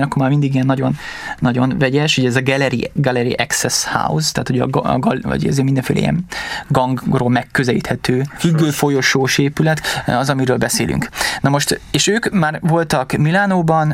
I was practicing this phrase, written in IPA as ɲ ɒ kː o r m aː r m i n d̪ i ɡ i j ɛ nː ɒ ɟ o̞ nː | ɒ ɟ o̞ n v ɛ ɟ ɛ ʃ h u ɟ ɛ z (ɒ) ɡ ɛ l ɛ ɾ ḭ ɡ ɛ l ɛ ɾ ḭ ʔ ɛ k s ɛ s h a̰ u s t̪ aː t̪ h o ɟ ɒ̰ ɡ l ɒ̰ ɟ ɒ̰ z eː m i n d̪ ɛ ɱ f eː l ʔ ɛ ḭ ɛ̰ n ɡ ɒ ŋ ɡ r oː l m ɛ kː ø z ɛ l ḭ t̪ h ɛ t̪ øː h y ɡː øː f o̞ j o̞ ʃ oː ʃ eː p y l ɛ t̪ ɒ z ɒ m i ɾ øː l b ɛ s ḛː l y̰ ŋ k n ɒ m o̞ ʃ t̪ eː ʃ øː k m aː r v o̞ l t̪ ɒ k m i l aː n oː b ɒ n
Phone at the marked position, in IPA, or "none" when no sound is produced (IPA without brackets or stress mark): ɒ